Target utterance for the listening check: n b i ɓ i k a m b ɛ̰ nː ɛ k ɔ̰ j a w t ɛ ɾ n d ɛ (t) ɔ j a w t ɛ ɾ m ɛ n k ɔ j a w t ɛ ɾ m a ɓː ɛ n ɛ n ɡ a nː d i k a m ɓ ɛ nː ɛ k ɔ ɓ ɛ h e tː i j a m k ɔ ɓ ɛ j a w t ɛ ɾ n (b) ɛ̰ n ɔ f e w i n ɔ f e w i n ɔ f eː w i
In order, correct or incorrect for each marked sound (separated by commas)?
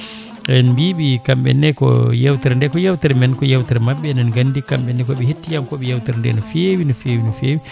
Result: incorrect, incorrect